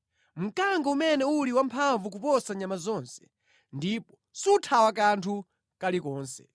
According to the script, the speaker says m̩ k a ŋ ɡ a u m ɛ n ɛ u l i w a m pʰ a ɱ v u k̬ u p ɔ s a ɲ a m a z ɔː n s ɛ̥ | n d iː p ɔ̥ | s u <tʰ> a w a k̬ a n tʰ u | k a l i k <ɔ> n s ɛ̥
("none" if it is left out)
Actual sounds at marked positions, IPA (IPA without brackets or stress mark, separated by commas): tʰ, ɔː